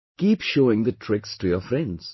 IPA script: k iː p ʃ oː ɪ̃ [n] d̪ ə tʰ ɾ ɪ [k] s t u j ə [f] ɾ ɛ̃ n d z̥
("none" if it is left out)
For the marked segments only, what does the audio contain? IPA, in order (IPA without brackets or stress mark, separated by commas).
ŋ, k, f